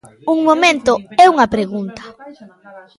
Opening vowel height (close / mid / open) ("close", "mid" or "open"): close